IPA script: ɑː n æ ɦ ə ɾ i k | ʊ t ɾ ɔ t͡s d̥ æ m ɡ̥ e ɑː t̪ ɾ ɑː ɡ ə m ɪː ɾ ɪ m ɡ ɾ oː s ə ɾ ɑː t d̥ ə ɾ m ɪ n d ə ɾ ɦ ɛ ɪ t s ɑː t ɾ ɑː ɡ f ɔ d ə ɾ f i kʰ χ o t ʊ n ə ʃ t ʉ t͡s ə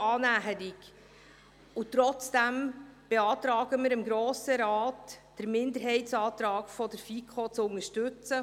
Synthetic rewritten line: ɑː n æ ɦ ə ɾ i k | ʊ t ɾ ɔ t͡s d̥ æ m b̥ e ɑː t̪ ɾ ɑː ɡ ə m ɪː ɾ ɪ m ɡ ɾ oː s ə ɾ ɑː t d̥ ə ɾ m ɪ n d ə ɾ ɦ ɛ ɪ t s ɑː t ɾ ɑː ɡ f ɔ d ə ɾ f i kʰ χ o t͡s ʊ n ə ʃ t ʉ t͡s ə